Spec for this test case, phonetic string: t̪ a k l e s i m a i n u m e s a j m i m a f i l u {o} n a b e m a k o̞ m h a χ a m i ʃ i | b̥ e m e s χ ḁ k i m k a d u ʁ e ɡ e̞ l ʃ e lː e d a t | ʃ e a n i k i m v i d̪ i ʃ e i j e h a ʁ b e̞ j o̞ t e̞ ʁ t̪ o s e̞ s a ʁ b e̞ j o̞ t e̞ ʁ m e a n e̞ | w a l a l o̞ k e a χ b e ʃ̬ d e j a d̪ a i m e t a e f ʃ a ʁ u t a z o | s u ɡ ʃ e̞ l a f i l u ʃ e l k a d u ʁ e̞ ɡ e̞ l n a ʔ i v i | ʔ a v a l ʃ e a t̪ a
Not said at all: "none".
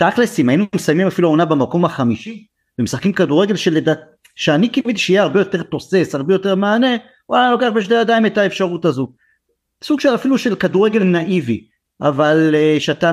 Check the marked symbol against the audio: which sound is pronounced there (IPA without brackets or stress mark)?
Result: o